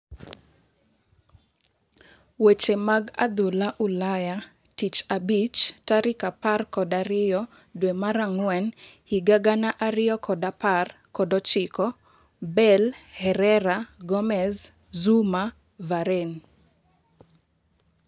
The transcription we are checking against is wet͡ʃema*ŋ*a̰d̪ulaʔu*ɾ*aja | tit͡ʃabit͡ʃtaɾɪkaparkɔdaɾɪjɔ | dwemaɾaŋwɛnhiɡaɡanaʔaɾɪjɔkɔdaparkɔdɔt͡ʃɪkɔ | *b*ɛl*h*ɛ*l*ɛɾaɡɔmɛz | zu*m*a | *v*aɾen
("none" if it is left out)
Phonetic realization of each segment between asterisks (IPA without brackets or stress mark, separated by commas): ɡ, l, b, h, ɾ, m, v